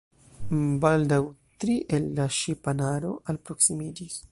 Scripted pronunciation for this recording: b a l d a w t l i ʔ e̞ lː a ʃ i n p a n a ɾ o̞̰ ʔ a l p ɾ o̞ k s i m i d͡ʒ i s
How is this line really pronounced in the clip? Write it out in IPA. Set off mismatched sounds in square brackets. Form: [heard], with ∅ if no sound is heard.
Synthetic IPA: b a l d a w t [ɾ] i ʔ e̞ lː a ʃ i [∅] p a n a ɾ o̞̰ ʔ a l p ɾ o̞ k s i m i d͡ʒ i s